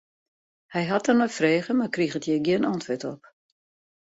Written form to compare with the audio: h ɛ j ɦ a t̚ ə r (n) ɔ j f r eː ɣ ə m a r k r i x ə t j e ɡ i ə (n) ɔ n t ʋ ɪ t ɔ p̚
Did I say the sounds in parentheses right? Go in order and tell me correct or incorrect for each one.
correct, correct

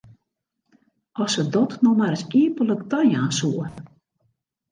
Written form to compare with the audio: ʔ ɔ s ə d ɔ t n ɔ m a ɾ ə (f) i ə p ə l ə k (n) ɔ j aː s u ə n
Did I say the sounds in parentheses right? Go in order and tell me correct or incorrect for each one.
incorrect: s, incorrect: d

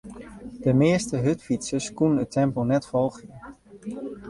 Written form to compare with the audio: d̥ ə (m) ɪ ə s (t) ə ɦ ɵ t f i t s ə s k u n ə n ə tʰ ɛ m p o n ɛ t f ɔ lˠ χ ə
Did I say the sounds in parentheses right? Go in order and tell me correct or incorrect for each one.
correct, correct

